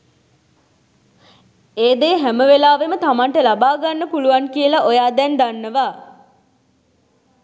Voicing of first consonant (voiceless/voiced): voiced